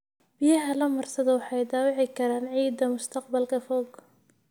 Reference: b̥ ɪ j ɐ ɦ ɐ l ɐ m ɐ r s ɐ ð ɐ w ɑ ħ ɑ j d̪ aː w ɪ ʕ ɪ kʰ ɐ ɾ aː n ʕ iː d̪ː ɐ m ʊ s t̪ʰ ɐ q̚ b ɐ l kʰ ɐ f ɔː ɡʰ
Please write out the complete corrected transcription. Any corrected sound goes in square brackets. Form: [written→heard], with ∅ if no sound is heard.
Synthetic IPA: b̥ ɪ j ɐ ɦ ɐ l ɐ m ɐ r s ɐ ð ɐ w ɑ ħ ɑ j d̪ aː w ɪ ʕ ɪ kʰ ɐ ɾ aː n ʕ iː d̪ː ɐ m ʊ s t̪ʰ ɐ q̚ b ɐ l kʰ ɐ f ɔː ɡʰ